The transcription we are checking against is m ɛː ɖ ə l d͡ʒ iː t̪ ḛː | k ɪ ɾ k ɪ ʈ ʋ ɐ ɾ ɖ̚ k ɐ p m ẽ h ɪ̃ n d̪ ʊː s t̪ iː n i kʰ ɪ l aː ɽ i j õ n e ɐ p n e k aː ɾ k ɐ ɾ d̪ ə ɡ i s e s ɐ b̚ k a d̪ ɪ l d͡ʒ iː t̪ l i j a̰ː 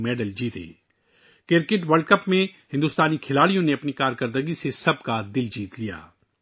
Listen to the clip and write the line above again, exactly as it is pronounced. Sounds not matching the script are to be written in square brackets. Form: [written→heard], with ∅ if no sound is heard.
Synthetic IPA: m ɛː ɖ ə l d͡ʒ iː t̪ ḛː | k ɪ ɾ k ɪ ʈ ʋ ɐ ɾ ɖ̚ k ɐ p m ẽ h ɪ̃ n d̪ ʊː s t̪ [iː→aː] n i kʰ ɪ l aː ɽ i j õ n e ɐ p n [e→i] k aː ɾ k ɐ ɾ d̪ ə ɡ i s e s ɐ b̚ k a d̪ ɪ l d͡ʒ iː t̪ l i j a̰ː